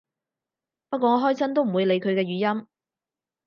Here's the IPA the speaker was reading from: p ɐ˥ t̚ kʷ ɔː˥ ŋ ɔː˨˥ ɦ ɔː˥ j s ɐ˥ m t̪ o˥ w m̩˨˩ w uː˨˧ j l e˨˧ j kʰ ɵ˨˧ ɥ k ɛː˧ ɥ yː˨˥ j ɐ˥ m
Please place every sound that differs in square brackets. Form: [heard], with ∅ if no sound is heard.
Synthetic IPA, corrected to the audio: p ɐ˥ t̚ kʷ [ɔː˧] ŋ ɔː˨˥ ɦ ɔː˥ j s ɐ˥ [n] t̪ o˥ w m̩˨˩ w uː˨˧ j l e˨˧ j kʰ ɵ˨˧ ɥ k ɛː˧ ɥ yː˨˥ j ɐ˥ m

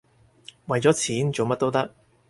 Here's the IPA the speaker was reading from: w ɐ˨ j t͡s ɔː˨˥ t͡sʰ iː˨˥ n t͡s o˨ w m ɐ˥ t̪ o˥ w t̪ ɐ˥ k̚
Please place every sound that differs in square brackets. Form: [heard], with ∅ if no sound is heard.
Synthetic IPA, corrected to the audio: w ɐ˨ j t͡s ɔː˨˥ t͡sʰ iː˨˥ n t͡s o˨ w m ɐ˥ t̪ o˥ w t̪ ɐ˥ k̚

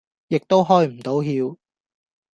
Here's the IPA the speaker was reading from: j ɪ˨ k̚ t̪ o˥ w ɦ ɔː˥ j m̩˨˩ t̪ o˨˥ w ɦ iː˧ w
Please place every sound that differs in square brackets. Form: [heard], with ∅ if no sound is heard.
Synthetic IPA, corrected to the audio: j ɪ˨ k̚ t̪ o˥ w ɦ ɔː˥ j m̩˨˩ t̪ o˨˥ w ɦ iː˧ w

